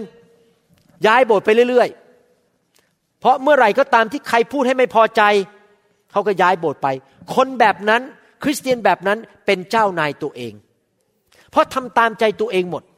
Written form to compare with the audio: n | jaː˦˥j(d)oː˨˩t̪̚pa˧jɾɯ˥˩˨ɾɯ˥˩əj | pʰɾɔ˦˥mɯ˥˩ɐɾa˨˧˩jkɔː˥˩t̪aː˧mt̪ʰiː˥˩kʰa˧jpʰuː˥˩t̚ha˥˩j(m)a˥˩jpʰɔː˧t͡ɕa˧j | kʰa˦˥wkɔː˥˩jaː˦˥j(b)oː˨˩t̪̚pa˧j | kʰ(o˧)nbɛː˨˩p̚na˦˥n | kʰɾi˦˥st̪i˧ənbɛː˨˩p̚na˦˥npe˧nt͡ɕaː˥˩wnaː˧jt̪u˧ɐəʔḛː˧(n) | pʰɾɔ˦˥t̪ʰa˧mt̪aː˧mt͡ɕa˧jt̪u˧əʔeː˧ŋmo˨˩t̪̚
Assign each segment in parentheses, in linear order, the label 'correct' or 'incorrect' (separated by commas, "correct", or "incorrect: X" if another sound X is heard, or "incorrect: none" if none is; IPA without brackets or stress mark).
incorrect: b, correct, correct, correct, incorrect: ŋ